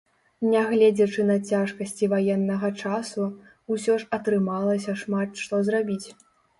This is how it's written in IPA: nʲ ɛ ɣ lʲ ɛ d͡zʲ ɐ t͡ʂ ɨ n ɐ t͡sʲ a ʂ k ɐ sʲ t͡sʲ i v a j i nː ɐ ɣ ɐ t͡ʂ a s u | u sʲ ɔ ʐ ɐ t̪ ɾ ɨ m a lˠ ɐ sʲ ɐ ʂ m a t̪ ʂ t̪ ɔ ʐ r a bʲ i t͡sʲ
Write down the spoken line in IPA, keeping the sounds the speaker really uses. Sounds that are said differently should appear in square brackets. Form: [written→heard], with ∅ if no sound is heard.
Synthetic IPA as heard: nʲ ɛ ɣ lʲ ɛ d͡zʲ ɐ t͡ʂ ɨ n ɐ t͡sʲ a ʂ k ɐ sʲ t͡sʲ i v a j [i→ɛ] nː ɐ ɣ ɐ t͡ʂ a s u | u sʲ ɔ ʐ ɐ t̪ ɾ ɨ m a lˠ ɐ sʲ ɐ ʂ m a t̪ ʂ t̪ ɔ [ʐ→z] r a bʲ i t͡sʲ